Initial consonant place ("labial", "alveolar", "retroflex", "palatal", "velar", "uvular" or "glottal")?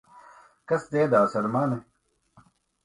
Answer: velar